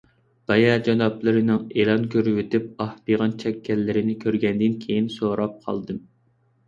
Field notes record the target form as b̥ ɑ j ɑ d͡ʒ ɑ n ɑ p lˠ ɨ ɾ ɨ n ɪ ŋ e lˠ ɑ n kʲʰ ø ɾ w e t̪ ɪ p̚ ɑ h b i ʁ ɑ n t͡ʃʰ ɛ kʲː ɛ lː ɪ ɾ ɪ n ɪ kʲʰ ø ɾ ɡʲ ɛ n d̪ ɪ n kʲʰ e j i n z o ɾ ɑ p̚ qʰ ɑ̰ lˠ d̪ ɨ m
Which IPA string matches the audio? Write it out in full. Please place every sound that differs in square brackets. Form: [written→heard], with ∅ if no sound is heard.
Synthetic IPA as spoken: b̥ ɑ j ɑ d͡ʒ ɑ n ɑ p lˠ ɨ ɾ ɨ n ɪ ŋ e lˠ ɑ n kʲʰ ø ɾ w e t̪ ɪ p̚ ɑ h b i ʁ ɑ n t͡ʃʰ ɛ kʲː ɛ lː ɪ ɾ ɪ n ɪ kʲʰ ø ɾ ɡʲ ɛ n d̪ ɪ n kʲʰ e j i n [z→s] o ɾ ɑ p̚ qʰ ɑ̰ lˠ d̪ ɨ m